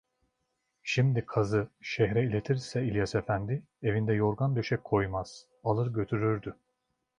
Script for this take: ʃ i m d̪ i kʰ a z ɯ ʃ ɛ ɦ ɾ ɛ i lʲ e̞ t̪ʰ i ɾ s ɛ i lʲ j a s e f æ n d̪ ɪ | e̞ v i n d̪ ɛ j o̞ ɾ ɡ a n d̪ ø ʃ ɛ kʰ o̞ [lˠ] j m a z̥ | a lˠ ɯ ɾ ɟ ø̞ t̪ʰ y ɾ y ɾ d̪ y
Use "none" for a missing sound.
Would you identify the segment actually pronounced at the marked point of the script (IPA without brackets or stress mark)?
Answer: none